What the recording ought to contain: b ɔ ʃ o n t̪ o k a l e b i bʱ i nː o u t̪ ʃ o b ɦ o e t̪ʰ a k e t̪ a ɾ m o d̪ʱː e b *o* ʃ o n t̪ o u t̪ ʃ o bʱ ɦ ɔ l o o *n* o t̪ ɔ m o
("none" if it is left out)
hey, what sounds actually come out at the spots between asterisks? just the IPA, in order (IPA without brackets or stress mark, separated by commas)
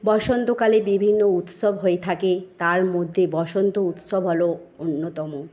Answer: ɔ, nː